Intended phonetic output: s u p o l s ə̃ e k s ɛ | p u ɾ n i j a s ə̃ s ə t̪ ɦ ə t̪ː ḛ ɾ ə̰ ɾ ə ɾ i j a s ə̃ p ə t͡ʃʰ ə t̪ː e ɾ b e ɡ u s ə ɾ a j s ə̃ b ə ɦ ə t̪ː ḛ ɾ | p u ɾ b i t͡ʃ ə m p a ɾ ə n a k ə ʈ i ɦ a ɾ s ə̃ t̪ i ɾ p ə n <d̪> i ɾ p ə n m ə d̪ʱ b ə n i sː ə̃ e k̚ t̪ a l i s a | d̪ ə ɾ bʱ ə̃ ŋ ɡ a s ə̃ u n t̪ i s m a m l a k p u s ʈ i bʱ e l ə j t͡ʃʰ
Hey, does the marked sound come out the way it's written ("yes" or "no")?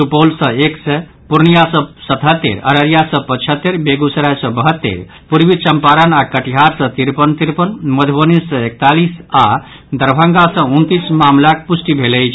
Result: no